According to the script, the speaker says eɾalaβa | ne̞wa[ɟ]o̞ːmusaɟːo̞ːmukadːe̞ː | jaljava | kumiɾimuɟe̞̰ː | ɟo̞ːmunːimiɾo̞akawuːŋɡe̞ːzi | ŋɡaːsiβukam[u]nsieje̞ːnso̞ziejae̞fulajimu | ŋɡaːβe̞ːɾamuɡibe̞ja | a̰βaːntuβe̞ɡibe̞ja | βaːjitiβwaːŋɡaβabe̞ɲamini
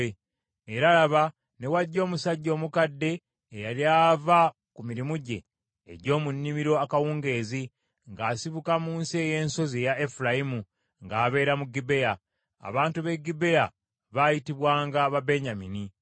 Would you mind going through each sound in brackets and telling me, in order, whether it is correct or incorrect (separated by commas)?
incorrect, incorrect